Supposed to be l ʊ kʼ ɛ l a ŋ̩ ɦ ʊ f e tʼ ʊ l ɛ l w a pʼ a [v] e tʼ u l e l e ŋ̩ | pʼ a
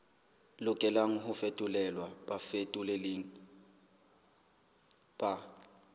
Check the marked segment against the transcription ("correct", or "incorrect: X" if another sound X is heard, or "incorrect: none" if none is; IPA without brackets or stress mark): incorrect: f